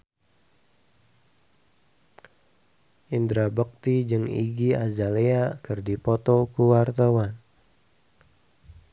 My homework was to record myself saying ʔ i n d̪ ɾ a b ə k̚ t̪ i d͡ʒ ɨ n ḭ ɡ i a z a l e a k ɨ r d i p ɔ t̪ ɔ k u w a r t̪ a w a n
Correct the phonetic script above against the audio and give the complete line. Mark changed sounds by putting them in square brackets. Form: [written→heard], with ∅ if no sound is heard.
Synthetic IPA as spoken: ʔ i n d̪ ɾ a b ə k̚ t̪ i d͡ʒ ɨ [n→ŋ] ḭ ɡ i a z a l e a k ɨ r d i p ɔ t̪ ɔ k u w a r t̪ a w a n